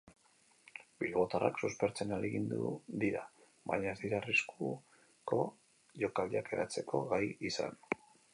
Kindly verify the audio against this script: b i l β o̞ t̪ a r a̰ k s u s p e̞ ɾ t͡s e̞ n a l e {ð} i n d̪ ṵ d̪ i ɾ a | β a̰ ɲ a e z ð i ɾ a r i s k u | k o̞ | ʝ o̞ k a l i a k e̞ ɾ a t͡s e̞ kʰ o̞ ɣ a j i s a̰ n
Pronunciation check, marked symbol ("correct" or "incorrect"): incorrect